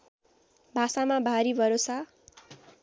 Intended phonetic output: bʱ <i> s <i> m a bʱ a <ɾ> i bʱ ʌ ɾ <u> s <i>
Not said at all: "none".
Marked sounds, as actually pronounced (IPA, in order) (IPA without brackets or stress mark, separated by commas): a, a, ɾ, o, a